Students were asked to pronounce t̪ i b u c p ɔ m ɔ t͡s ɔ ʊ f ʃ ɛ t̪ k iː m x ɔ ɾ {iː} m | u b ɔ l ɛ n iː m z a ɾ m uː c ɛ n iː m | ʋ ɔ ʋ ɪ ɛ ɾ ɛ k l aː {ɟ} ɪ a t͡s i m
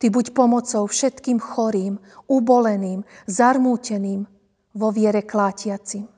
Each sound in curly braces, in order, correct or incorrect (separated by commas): correct, incorrect